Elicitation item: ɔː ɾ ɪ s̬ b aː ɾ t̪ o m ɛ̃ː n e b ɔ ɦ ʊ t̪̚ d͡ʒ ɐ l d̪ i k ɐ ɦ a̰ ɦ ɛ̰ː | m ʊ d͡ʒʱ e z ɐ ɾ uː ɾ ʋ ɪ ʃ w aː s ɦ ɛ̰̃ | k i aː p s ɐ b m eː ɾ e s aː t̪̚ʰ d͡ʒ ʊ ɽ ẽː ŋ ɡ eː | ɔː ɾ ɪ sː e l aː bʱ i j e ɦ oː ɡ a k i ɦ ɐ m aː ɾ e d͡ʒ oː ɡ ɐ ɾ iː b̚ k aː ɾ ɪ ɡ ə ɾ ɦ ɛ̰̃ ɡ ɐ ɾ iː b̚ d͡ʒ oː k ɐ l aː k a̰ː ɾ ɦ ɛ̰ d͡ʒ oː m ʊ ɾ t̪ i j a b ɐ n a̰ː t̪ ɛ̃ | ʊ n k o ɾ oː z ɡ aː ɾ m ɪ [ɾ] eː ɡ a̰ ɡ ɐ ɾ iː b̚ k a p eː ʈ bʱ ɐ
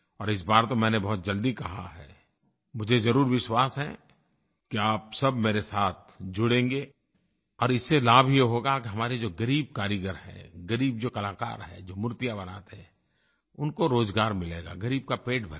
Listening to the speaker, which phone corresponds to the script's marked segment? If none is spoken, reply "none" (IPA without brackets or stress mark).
l